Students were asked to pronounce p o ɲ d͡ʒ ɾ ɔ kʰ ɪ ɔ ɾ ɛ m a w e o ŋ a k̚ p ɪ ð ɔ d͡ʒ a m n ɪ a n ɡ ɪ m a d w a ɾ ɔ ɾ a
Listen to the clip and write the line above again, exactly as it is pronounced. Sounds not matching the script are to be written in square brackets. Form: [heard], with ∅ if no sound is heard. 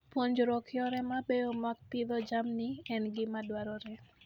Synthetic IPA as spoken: p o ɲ d͡ʒ ɾ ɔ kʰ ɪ ɔ ɾ ɛ m a [b] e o [m] a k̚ p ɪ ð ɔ d͡ʒ a m n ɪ [ɛ] n ɡ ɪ m a d w a ɾ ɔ ɾ [ɛ]